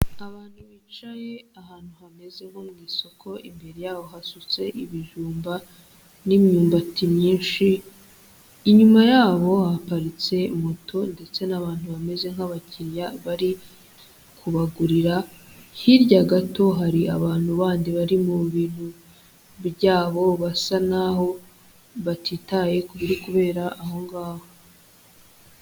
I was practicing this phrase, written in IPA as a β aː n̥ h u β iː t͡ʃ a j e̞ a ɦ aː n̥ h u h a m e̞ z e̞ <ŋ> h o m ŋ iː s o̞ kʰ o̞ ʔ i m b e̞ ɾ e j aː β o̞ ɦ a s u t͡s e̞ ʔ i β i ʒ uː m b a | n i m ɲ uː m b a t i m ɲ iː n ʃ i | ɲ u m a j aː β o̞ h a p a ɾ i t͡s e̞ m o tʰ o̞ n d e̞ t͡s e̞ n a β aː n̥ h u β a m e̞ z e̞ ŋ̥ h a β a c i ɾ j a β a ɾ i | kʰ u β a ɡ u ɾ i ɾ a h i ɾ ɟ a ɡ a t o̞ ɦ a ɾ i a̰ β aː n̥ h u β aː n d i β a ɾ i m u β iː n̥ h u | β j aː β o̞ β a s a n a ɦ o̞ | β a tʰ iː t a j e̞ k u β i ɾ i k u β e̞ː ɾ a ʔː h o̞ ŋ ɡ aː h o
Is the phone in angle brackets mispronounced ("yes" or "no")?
no